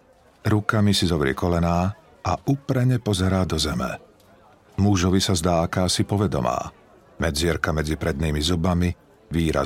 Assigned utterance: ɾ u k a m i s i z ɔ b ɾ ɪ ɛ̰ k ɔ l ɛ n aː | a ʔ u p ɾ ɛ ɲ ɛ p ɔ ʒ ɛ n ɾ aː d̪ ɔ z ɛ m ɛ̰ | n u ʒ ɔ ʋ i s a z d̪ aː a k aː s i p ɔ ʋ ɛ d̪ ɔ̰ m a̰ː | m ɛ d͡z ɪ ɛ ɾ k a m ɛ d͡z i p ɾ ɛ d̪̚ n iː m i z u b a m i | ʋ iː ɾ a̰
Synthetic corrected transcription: ɾ u k a m i s i z ɔ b ɾ ɪ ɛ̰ k ɔ l ɛ n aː | a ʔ u p ɾ ɛ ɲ ɛ p ɔ z ɛ ɾ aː d̪ ɔ z ɛ m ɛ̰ | m u ʒ ɔ ʋ i s a z d̪ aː a k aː s i p ɔ ʋ ɛ d̪ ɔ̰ m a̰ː | m ɛ d͡z ɪ ɛ ɾ k a m ɛ d͡z i p ɾ ɛ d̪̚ n iː m i z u b a m i | ʋ iː ɾ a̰